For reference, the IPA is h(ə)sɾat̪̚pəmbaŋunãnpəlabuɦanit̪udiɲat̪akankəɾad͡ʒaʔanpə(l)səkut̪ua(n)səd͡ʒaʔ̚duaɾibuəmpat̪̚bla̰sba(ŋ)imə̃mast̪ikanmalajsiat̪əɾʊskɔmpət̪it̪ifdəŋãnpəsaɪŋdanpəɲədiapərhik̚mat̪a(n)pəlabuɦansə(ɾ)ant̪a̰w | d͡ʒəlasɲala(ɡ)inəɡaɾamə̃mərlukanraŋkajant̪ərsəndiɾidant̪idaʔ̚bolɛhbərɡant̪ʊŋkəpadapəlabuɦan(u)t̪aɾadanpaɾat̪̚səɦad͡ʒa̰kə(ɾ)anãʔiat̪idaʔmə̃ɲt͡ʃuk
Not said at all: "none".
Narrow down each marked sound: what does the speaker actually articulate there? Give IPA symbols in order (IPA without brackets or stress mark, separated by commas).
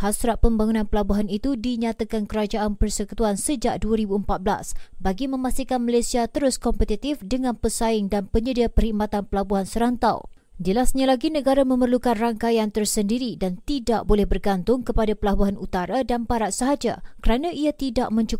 a, r, n, ɡ, n, ɾ, ɡ, u, ɾ